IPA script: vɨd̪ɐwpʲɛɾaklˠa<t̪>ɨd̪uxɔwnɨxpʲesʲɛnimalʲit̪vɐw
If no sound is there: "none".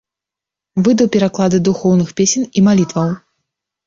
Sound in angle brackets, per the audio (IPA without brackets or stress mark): d̪